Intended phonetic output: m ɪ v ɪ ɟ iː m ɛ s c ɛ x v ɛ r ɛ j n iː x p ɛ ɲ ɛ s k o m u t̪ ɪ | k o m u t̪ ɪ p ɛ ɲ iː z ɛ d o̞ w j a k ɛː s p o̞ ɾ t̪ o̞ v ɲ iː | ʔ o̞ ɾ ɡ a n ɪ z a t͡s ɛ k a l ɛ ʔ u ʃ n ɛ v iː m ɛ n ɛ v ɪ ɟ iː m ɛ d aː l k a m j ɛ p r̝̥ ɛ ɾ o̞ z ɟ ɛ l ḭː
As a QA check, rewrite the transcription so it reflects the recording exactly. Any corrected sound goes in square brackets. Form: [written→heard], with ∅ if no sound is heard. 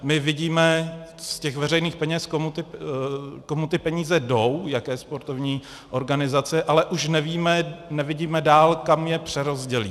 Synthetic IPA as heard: m ɪ v ɪ ɟ iː m ɛ s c ɛ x v ɛ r ɛ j n iː x p ɛ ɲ ɛ s k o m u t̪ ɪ | k o m u t̪ ɪ p ɛ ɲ iː z ɛ d o̞ w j a k ɛː s p o̞ ɾ t̪ o̞ v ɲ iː | ʔ o̞ ɾ ɡ a n ɪ z a t͡s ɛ [k→ʔ] a l ɛ ʔ u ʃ n ɛ v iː m ɛ n ɛ v ɪ ɟ iː m ɛ d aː l k a m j ɛ p r̝̥ ɛ ɾ o̞ z ɟ ɛ l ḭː